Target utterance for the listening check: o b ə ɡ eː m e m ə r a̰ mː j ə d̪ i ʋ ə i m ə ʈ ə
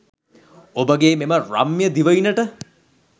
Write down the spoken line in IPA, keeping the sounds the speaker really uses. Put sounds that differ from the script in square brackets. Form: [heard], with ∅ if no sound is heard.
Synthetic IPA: o b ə ɡ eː m e m ə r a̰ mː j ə d̪ i ʋ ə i [n] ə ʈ ə